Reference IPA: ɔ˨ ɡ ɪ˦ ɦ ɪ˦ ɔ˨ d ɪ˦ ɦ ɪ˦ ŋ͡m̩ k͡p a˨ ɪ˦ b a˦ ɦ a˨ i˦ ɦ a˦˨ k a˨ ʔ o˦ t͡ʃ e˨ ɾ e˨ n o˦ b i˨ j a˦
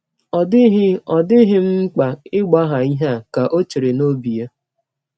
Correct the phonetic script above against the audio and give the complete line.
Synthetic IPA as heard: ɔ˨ d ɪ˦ ɦ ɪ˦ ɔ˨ d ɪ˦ ɦ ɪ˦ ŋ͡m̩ k͡p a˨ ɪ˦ ɡ͡b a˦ ɦ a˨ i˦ ɦ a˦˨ k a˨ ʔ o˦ t͡ʃ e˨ ɾ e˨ n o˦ b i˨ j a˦